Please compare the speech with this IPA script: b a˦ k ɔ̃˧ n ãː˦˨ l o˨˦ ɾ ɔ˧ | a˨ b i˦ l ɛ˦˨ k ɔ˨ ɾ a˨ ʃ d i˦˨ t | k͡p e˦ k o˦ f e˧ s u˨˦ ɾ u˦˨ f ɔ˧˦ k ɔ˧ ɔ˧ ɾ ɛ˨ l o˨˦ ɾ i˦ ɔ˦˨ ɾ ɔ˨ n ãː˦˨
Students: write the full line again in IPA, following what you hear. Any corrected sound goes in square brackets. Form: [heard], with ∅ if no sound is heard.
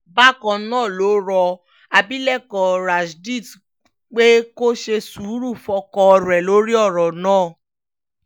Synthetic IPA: b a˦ k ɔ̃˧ n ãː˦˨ l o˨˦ ɾ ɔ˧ | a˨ b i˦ l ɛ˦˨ k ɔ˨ ɾ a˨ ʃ d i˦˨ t | k͡p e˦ k o˦ [ʃ] e˧ s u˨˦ ɾ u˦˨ f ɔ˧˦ k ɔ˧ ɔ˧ ɾ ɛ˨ l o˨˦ ɾ i˦ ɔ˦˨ ɾ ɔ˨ n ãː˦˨